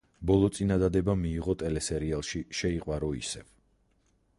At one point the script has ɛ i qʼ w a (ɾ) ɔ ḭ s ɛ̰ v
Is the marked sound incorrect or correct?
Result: correct